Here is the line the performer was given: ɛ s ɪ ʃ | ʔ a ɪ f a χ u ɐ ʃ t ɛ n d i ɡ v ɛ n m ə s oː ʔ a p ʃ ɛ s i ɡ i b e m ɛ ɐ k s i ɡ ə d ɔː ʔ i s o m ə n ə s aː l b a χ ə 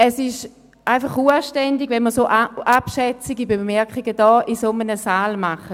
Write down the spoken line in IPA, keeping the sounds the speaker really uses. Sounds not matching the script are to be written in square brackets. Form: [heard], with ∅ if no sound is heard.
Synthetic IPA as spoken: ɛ s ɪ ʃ | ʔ a ɪ f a χ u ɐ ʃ t ɛ n d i ɡ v ɛ n m ə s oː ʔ a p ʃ ɛ [t͡s] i ɡ i b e m ɛ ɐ k [χ] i ɡ ə d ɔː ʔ i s o m ə n ə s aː l [m] a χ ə

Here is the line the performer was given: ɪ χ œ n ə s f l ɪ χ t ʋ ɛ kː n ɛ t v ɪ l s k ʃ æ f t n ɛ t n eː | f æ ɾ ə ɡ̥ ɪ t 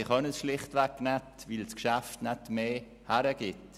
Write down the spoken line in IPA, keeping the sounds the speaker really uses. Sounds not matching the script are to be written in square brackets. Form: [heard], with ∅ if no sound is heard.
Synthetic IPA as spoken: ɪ χ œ n ə s [ʃ] l ɪ χ t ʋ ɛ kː n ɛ t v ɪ l s k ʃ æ f t n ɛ t [m] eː | [h] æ ɾ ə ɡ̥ ɪ t

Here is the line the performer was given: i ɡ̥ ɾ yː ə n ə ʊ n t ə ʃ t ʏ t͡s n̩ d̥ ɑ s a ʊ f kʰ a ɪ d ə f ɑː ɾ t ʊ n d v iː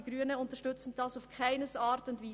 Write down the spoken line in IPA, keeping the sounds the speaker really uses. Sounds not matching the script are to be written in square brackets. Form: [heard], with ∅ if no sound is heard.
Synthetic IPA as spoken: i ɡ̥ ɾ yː ə n ə ʊ n t ə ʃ t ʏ t͡s n̩ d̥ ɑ s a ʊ f kʰ a ɪ [n] ə [s] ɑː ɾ t ʊ n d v iː

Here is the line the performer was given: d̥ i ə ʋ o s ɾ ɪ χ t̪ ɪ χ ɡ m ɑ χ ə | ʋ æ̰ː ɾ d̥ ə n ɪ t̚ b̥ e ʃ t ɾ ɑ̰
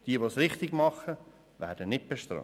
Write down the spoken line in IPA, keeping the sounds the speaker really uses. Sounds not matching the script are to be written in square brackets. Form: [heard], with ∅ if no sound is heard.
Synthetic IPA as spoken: d̥ i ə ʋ o s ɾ ɪ χ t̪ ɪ [∅] ɡ m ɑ χ ə | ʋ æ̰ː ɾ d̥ ə n ɪ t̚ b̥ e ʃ t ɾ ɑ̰

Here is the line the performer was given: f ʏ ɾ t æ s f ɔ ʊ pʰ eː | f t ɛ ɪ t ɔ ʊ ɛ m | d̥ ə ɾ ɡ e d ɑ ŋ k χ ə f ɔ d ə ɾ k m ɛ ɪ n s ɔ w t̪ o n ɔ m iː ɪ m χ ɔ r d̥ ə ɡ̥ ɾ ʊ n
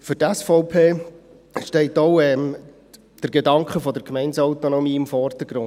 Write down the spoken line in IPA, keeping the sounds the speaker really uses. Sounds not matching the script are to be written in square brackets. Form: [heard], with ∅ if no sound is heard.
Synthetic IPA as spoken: f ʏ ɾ t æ s f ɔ ʊ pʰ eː | [ʃ] t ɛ ɪ t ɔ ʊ ɛ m | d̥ ə ɾ ɡ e d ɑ ŋ k χ ə f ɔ d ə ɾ k m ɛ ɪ n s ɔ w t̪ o n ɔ m iː ɪ m [f] ɔ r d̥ ə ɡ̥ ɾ ʊ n

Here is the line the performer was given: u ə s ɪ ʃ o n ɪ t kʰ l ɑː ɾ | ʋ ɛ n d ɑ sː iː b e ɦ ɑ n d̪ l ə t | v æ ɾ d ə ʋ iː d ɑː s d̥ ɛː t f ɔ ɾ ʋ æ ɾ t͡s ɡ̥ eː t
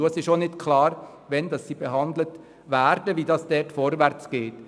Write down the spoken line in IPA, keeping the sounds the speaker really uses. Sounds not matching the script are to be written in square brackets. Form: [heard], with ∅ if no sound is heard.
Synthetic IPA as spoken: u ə s ɪ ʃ o n ɪ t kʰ l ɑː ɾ | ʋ ɛ n d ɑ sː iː b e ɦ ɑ n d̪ l ə t | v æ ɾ d ə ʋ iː d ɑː s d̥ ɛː t f ɔ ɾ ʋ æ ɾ t͡s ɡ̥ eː t

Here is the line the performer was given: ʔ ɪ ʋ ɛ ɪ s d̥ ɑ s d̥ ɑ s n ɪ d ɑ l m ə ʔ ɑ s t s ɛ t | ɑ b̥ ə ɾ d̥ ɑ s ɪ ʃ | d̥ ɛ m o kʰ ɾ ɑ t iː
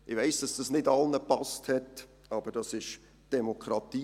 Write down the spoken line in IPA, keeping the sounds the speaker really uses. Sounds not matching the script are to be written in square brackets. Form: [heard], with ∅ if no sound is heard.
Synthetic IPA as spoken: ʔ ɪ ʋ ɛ ɪ s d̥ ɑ s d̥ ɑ s n ɪ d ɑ l [n] ə [p] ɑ s t [h] ɛ t | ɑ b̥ ə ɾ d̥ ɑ s ɪ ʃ | d̥ ɛ m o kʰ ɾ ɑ t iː

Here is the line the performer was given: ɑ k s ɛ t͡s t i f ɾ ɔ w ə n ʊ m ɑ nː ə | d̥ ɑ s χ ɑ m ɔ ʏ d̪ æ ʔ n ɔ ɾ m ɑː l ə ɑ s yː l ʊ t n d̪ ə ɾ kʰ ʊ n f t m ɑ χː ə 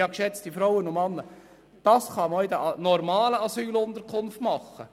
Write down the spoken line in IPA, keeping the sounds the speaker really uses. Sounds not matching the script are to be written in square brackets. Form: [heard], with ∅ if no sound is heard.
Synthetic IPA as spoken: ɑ k [ʃ] ɛ t͡s t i f ɾ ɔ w ə n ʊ m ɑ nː ə | d̥ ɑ s χ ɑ m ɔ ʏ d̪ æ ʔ n ɔ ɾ m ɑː l ə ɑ s yː l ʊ [∅] n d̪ ə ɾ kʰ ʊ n f t m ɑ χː ə

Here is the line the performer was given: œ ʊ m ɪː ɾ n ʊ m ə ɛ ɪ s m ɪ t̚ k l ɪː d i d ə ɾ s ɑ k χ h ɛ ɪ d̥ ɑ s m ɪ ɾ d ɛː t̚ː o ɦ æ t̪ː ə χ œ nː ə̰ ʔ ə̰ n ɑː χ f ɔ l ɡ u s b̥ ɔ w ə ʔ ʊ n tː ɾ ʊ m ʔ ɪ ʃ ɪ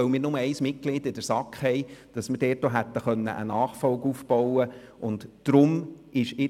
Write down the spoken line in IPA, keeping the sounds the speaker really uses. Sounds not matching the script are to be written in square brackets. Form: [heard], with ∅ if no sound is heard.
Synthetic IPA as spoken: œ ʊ m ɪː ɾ n ʊ m ə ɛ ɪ s m ɪ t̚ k l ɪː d [ɪ] d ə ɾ s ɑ k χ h ɛ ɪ d̥ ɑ s m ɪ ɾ d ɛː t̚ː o ɦ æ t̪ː ə χ œ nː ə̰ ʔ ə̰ n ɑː χ f ɔ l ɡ u [f] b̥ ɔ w ə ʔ ʊ n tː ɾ ʊ m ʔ ɪ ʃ ɪ

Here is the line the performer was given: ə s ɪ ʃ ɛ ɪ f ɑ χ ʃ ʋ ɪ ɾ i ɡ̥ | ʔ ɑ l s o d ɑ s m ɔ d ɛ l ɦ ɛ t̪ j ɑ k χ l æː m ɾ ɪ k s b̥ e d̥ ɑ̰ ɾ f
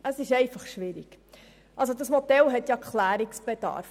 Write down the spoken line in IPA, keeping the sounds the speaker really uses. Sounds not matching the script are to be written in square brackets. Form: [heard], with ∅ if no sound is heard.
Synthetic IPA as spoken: ə s ɪ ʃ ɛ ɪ f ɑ χ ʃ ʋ ɪ ɾ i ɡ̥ | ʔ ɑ l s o d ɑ s m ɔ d ɛ l ɦ ɛ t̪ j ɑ k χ l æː [∅] ɾ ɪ k s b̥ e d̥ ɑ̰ ɾ f

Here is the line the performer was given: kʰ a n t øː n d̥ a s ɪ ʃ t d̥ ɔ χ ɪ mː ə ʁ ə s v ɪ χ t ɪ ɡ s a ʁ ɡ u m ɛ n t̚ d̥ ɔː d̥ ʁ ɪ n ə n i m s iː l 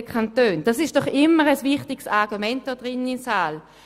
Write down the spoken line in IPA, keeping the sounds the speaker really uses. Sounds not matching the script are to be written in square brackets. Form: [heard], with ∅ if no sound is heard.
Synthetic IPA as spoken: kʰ a n t øː n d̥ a s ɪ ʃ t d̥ ɔ χ ɪ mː ə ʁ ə s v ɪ χ t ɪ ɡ s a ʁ ɡ u m ɛ n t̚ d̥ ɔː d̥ ʁ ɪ n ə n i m s [aː] l

